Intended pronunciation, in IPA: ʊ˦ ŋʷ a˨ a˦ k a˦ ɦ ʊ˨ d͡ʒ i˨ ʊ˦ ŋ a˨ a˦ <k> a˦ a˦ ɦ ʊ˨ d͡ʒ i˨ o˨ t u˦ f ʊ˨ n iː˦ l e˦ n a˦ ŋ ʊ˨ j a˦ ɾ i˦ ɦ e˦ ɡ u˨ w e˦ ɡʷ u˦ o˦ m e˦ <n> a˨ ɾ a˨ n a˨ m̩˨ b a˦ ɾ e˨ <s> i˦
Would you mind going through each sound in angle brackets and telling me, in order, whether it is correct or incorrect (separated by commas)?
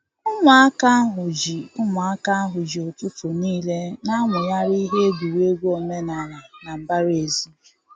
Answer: correct, correct, incorrect